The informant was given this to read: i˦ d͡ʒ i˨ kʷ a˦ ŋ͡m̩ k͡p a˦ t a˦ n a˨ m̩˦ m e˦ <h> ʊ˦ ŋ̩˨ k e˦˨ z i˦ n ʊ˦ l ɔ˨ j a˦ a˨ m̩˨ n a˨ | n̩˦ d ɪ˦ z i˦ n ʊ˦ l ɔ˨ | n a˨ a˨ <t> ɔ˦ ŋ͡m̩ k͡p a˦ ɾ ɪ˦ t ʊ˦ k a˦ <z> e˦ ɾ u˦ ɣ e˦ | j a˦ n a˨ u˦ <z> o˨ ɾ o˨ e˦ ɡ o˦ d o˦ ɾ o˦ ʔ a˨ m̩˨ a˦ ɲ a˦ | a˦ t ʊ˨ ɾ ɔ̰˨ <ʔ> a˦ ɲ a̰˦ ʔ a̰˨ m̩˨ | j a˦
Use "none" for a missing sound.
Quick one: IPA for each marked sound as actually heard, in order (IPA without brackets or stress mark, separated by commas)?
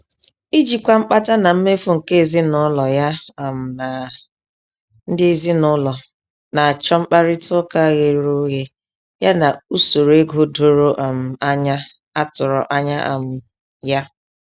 f, t͡ʃ, ɣ, s, ʔ